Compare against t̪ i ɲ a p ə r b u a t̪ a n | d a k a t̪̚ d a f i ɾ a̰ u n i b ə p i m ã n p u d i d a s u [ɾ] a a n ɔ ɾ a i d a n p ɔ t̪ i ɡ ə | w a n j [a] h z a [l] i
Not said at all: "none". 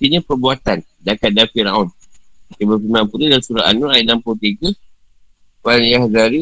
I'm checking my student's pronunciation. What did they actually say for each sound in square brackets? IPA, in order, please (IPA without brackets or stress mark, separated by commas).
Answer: ɾ, a, ɾ